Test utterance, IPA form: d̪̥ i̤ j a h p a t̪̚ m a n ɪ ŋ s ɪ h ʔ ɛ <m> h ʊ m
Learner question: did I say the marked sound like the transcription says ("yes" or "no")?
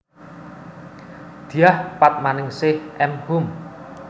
yes